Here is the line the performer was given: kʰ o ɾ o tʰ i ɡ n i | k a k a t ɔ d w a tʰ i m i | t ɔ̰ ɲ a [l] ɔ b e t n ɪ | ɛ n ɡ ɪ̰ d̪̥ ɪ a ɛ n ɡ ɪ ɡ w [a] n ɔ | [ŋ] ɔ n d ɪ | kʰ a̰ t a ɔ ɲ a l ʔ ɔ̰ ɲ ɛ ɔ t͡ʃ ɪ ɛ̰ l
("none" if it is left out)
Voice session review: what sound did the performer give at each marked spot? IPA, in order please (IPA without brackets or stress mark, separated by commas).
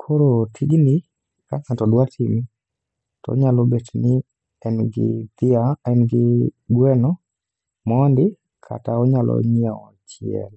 l, ɛ, m